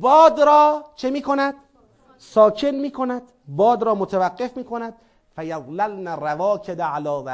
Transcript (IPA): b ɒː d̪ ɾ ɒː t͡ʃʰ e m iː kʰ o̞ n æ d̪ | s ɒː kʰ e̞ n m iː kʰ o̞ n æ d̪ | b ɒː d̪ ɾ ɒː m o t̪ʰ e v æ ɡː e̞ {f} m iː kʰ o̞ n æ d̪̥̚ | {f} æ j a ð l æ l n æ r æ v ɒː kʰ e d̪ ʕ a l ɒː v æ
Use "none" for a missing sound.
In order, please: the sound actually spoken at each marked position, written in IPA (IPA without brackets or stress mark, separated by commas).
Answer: f, f